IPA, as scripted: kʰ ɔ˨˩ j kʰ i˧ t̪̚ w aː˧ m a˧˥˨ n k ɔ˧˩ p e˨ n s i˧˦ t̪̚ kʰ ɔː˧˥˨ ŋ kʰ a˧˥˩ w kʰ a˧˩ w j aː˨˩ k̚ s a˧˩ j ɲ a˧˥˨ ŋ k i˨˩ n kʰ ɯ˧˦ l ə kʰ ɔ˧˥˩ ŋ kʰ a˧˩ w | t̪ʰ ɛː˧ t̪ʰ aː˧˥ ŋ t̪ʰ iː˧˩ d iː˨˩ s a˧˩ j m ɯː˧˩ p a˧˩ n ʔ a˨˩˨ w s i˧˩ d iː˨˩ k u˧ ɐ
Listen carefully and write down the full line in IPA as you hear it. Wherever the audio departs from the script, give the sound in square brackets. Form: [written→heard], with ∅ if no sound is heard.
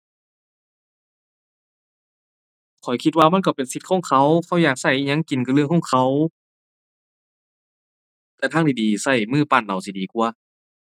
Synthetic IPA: kʰ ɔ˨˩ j kʰ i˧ t̪̚ w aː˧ m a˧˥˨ n k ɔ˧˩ p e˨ n s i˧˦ t̪̚ kʰ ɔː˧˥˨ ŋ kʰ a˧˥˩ w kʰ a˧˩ w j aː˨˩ k̚ s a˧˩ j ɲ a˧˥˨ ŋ k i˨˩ n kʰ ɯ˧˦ l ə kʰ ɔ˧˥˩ ŋ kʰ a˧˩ w | [t̪ʰ→t̪] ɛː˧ t̪ʰ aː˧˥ ŋ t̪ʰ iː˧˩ d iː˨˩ s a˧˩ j m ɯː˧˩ p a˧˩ n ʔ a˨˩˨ w s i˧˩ d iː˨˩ k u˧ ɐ